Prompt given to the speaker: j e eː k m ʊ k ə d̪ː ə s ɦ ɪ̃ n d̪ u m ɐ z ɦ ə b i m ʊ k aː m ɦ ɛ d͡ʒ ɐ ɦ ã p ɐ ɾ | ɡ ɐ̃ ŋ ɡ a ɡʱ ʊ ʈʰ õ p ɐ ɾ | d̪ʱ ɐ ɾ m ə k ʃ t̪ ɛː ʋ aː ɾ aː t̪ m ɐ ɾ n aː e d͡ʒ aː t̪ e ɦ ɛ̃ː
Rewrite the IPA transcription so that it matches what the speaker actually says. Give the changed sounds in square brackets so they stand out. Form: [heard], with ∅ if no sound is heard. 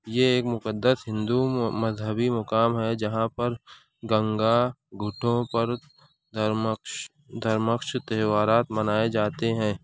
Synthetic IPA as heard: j e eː k m ʊ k ə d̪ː ə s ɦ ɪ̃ n d̪ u m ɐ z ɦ ə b i m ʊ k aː m ɦ ɛ d͡ʒ ɐ ɦ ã p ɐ ɾ | ɡ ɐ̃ ŋ ɡ a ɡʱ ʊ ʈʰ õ p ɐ ɾ | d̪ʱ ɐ ɾ m ə k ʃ t̪ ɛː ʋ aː ɾ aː t̪ m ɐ [∅] n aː e d͡ʒ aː t̪ e ɦ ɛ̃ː